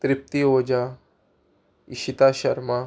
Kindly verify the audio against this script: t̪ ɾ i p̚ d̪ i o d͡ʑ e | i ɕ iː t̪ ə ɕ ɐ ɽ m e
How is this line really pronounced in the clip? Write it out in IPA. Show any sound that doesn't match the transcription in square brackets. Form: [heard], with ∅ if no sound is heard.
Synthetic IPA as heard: t̪ ɾ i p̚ [t̪] i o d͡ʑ [a] | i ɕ [i] t̪ [a] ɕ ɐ [ɾ] m [a]